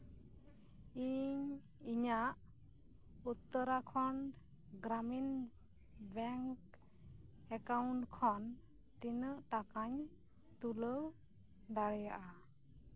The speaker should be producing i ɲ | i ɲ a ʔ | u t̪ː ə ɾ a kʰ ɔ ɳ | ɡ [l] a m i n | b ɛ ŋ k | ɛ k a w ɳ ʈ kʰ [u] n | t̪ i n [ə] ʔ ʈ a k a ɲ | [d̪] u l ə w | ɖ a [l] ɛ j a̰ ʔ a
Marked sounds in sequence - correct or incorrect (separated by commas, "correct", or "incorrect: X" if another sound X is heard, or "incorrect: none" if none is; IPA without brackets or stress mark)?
incorrect: ɾ, incorrect: ɔ, correct, incorrect: t̪, incorrect: ɽ